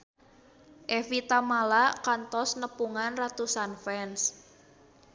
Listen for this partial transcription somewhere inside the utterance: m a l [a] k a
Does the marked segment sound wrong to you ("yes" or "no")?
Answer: no